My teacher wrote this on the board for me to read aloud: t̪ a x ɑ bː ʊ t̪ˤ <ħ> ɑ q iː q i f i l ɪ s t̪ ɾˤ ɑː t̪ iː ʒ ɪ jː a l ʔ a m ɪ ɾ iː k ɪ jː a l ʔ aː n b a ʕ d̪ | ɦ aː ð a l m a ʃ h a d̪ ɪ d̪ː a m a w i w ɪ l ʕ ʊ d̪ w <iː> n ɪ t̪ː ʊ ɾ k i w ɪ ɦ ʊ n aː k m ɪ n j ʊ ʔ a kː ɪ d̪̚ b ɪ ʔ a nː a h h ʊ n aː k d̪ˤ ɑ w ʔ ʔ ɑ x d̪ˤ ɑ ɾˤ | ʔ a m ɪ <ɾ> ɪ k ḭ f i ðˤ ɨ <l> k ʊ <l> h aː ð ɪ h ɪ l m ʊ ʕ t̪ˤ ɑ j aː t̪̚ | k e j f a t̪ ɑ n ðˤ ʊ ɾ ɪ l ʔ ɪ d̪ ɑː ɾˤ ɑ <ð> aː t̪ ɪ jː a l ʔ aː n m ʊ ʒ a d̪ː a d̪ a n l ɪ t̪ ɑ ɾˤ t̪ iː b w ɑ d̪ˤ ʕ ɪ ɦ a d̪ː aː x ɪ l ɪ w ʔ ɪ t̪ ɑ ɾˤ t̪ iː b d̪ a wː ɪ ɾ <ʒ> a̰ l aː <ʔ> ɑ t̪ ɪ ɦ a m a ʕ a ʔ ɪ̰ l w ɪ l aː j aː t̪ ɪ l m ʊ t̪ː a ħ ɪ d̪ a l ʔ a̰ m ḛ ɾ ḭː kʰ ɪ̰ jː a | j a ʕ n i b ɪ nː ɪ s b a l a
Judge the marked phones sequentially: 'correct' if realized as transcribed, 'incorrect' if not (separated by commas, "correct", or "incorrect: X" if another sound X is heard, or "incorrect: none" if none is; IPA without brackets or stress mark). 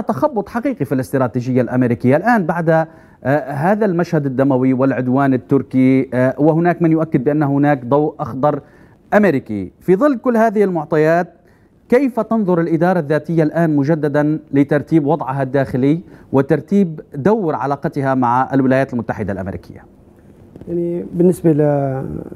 correct, incorrect: aː, correct, incorrect: lː, incorrect: lː, incorrect: ðː, incorrect: ʕ, incorrect: q